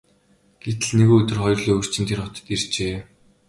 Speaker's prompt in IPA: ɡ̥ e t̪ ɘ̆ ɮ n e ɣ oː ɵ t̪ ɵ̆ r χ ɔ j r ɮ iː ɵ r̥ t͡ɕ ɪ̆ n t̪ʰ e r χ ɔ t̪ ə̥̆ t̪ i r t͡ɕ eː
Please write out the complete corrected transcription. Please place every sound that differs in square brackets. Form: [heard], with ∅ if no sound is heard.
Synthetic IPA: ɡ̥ e t̪ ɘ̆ ɮ n e ɣ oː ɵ t̪ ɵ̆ r χ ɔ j r ɮ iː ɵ r̥ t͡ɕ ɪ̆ n t̪ʰ e r χ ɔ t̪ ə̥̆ t̪ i r t͡ɕ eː